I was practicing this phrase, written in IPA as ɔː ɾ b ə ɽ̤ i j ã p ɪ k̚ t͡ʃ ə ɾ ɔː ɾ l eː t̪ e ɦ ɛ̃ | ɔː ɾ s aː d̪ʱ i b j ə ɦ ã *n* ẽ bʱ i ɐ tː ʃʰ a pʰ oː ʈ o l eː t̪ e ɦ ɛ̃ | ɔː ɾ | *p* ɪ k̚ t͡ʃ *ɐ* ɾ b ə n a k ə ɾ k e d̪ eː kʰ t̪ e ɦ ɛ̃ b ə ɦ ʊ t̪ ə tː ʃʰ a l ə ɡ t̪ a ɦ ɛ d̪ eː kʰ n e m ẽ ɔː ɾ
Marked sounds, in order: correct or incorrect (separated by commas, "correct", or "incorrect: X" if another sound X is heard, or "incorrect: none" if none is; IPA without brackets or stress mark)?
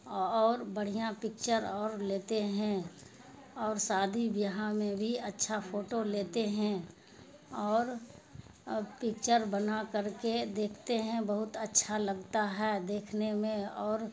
incorrect: m, correct, incorrect: ə